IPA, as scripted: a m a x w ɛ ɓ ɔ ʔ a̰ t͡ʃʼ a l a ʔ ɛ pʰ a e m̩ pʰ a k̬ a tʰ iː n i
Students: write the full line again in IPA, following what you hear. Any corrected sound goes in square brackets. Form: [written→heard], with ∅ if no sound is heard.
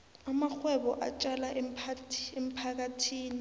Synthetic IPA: a m a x w ɛ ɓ ɔ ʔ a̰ t͡ʃʼ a l a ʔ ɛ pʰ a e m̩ pʰ a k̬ a tʰ iː n i